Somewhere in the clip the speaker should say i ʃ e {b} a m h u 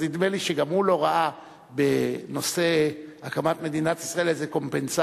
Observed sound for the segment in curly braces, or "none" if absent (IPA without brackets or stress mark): ɡ